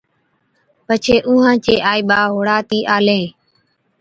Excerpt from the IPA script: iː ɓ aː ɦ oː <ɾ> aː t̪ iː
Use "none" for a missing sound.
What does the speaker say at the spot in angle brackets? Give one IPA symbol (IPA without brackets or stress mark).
ɽ